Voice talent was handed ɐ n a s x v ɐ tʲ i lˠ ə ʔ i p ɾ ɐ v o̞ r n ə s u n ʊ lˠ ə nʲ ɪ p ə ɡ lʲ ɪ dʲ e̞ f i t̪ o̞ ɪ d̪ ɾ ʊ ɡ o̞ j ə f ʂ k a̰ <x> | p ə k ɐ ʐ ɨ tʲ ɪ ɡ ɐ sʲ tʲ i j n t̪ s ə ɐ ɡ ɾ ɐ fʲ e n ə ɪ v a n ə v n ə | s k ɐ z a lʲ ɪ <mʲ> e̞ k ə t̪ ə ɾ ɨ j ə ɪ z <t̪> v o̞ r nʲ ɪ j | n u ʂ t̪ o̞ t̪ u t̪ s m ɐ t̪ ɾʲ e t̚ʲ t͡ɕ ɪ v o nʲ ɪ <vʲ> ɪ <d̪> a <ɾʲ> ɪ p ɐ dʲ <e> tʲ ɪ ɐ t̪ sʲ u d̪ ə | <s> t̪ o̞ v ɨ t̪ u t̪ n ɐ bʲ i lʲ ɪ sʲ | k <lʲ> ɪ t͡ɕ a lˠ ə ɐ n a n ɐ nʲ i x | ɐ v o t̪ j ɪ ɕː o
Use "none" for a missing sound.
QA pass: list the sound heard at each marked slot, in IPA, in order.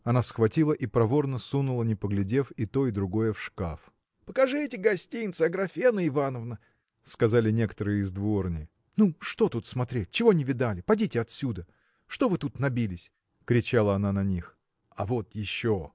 f, nʲ, d̪, vʲ, d̪, lʲ, i, ʂ, ɾʲ

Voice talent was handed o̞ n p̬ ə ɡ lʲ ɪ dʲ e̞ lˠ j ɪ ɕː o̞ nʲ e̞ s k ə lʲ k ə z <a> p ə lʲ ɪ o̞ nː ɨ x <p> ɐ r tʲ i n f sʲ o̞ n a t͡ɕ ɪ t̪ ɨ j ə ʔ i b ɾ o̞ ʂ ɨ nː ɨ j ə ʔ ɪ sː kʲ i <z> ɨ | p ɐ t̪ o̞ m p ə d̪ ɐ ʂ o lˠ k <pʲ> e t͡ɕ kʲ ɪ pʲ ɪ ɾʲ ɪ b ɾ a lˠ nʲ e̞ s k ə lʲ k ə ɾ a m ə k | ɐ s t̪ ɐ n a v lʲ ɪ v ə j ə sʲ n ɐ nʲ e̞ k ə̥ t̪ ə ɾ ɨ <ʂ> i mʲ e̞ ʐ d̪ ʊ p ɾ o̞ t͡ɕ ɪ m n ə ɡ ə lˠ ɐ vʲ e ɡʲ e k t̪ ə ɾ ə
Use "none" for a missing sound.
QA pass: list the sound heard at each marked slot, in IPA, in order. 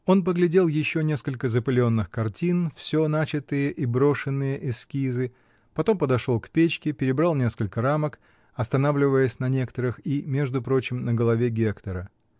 ə, k, z, pʲ, x

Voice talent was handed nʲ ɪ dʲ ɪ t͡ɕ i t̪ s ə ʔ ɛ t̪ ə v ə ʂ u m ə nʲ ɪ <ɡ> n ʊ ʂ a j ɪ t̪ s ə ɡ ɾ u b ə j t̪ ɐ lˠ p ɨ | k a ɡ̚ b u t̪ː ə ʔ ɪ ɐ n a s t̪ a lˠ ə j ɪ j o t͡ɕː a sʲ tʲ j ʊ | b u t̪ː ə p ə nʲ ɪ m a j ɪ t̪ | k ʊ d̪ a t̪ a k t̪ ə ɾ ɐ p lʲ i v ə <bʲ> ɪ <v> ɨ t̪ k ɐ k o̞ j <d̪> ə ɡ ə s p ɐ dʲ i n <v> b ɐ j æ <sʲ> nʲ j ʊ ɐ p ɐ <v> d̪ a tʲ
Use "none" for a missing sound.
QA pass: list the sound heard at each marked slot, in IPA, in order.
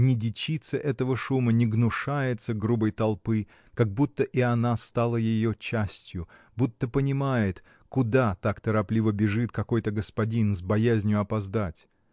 ɡ, bʲ, ʐ, t̪, z, zʲ, z

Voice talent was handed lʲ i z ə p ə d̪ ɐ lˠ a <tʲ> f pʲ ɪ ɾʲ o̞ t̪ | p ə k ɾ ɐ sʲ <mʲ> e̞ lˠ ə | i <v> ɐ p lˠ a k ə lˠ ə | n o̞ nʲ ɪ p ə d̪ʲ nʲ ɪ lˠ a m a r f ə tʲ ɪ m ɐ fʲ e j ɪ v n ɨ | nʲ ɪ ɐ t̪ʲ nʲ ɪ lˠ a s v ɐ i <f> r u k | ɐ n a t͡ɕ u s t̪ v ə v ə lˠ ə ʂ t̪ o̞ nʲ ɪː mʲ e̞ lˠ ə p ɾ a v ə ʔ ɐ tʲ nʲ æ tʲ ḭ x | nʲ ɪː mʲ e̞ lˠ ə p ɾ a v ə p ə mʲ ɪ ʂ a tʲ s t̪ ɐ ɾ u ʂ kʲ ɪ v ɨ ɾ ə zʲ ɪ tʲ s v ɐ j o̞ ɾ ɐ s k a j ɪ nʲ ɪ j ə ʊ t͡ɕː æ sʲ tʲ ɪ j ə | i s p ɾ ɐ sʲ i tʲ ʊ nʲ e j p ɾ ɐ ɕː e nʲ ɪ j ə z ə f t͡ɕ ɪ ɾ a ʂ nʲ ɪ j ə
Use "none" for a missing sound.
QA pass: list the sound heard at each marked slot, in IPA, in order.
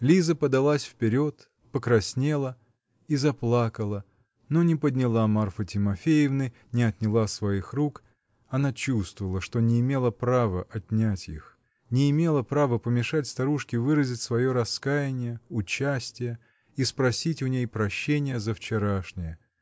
sʲ, nʲ, z, x

